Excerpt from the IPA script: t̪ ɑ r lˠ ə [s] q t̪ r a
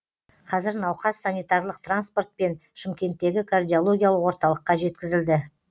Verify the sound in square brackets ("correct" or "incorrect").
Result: incorrect